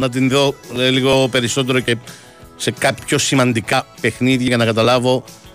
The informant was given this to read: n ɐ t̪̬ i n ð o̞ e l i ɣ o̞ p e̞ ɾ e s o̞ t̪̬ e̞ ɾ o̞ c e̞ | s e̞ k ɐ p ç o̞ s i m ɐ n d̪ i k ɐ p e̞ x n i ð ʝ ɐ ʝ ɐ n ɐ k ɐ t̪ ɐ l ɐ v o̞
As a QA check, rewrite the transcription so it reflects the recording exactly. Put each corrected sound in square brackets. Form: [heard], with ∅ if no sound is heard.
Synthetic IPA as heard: n ɐ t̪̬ i n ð o̞ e l i ɣ o̞ p e̞ ɾ [i] s o̞ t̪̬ e̞ ɾ o̞ c e̞ | s e̞ k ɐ p ç o̞ s i m ɐ n d̪ i k ɐ p e̞ x n i ð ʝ ɐ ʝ ɐ n ɐ k ɐ t̪ ɐ l ɐ v o̞